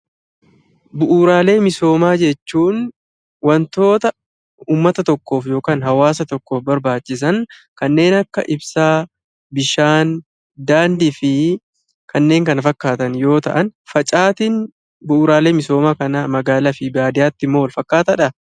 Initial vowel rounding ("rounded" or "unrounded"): rounded